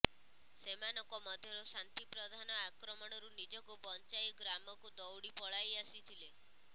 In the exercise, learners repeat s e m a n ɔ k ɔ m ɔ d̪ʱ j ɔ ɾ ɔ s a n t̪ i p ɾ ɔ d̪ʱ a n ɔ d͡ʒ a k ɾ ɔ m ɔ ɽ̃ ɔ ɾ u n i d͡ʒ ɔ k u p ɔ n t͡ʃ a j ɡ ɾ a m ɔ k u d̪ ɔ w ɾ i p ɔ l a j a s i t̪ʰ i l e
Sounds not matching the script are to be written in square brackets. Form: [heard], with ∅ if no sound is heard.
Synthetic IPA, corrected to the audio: s e m a n ɔ k ɔ m ɔ d̪ʱ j ɔ ɾ ɔ s a n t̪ i p ɾ ɔ d̪ʱ a n ɔ [∅] a k ɾ ɔ m ɔ ɽ̃ ɔ ɾ u n i d͡ʒ ɔ k u p ɔ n t͡ʃ a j ɡ ɾ a m ɔ k u d̪ ɔ w [ɽ] i p ɔ [ɭ] a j a s i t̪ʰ i l e

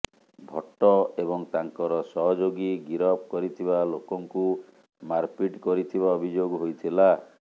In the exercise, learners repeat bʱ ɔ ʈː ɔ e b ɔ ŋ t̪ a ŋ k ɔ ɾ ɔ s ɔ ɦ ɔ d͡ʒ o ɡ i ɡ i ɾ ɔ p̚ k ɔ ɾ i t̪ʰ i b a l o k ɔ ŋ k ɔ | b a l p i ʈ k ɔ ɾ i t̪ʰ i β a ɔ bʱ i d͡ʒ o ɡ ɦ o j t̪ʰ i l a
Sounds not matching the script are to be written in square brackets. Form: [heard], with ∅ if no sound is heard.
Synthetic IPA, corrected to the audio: bʱ ɔ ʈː ɔ e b ɔ ŋ t̪ a ŋ k ɔ ɾ ɔ s ɔ ɦ ɔ d͡ʒ o ɡ i ɡ i ɾ ɔ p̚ k ɔ ɾ i t̪ʰ i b a l o k ɔ ŋ k [u] | [m] a [ɾ] p i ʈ k ɔ ɾ i t̪ʰ i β a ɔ bʱ i d͡ʒ o ɡ ɦ o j t̪ʰ i l a

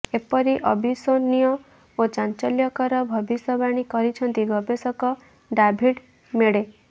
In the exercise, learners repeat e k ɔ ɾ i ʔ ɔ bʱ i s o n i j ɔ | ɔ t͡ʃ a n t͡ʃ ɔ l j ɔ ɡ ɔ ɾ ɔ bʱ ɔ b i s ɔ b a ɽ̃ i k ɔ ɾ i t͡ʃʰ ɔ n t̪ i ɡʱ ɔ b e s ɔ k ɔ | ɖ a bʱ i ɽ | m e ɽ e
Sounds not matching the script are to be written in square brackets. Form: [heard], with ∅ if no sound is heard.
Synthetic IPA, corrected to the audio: e [p] ɔ ɾ i ʔ ɔ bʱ i s o n i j ɔ | [o] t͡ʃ a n t͡ʃ ɔ l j ɔ [k] ɔ ɾ ɔ bʱ ɔ b i s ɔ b a ɽ̃ i k ɔ ɾ i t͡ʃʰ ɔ n t̪ i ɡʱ ɔ b e s ɔ k ɔ | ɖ a bʱ i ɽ | m e ɽ e

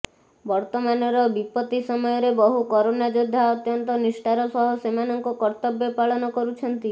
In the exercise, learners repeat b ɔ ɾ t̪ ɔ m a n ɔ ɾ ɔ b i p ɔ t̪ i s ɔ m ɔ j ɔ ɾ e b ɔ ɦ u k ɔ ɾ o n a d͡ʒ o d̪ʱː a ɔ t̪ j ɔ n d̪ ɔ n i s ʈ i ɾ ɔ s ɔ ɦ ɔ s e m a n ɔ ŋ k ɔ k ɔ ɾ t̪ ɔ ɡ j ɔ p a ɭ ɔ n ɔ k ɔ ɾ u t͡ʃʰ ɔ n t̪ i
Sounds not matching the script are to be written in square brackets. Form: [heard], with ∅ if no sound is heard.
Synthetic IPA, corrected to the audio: b ɔ ɾ t̪ ɔ m a n ɔ ɾ ɔ b i p ɔ t̪ i s ɔ m ɔ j ɔ ɾ e b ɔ ɦ u k ɔ ɾ o n a d͡ʒ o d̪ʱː a ɔ t̪ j ɔ n [t̪] ɔ n i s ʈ [a] ɾ ɔ s ɔ ɦ ɔ s e m a n ɔ ŋ k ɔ k ɔ ɾ t̪ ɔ [b] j ɔ p a ɭ ɔ n ɔ k ɔ ɾ u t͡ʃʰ ɔ n t̪ i

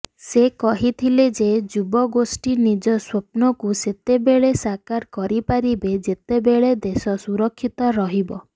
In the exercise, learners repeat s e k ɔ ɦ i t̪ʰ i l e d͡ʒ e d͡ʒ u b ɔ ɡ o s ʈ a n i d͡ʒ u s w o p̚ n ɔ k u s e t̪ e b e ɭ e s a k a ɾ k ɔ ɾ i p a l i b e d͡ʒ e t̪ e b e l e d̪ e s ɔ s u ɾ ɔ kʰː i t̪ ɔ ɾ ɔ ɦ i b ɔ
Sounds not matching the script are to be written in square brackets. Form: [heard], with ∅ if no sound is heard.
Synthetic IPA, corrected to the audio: s e k ɔ ɦ i t̪ʰ i l e d͡ʒ e d͡ʒ u b ɔ ɡ o s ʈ [i] n i d͡ʒ [ɔ] s w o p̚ n ɔ k u s e t̪ e b e ɭ e s a k a ɾ k ɔ ɾ i p a [ɾ] i b e d͡ʒ e t̪ e b e [ɭ] e d̪ e s ɔ s u ɾ ɔ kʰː i t̪ ɔ ɾ ɔ ɦ i b ɔ

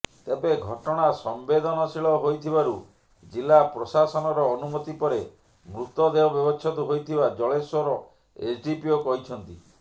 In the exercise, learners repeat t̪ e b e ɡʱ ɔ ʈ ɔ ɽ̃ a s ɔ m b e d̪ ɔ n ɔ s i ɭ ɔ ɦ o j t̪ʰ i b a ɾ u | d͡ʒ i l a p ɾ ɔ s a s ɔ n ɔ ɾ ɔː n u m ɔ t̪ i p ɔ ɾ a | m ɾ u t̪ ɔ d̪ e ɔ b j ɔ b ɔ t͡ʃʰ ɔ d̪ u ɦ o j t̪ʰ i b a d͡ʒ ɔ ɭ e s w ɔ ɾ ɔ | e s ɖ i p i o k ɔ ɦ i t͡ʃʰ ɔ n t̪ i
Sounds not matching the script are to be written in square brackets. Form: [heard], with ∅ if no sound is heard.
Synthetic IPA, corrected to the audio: t̪ e b e ɡʱ ɔ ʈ ɔ ɽ̃ a s ɔ m b e d̪ ɔ n ɔ s i ɭ ɔ ɦ o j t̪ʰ i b a ɾ u | d͡ʒ i l a p ɾ ɔ s a s ɔ n ɔ ɾ ɔː n u m ɔ t̪ i p ɔ ɾ [e] | m ɾ u t̪ ɔ d̪ e ɔ b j ɔ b ɔ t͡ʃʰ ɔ [t̪] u ɦ o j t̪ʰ i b a d͡ʒ ɔ ɭ e s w ɔ ɾ ɔ | e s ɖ i p i o k ɔ ɦ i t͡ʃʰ ɔ n t̪ i

